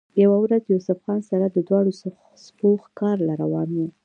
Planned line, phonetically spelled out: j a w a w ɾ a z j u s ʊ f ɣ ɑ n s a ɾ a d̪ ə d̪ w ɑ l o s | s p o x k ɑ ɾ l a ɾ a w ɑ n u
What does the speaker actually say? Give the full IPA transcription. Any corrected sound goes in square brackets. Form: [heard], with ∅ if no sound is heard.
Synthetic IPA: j a w a w ɾ a z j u s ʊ f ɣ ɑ n s a ɾ a d̪ ə d̪ w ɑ [ɽ] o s | s p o x k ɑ ɾ l a ɾ a w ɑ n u